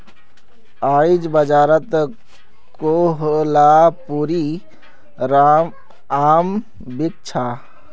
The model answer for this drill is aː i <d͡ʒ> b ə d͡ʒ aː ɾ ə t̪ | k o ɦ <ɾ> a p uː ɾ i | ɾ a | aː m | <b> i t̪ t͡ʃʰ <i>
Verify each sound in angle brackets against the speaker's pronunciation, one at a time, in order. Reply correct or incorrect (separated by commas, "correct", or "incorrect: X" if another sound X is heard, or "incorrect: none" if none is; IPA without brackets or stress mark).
correct, incorrect: l, correct, incorrect: a